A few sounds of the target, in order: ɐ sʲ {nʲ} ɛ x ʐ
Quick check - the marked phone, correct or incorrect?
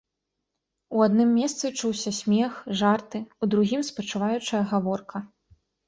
incorrect